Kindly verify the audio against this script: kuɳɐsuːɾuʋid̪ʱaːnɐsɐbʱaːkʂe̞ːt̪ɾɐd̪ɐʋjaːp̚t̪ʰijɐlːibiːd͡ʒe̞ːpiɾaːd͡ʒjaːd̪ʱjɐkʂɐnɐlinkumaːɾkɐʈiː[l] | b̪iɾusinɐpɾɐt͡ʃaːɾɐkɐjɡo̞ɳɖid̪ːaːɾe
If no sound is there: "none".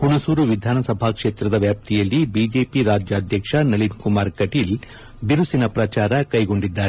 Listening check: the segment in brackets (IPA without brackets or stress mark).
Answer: l